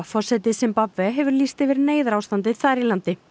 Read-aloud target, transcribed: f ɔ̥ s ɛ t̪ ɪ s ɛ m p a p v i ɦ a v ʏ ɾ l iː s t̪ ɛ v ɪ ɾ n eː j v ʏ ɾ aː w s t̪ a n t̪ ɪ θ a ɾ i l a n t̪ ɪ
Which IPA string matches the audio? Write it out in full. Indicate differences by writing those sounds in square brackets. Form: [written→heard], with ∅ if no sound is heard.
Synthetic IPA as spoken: f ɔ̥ s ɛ t̪ ɪ s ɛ m p a p v [i→ɛ] ɦ [a→ɛ] v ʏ ɾ l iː s t̪ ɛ v ɪ ɾ n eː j [v→ð] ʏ ɾ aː w s t̪ a n t̪ ɪ θ a ɾ i l a n t̪ ɪ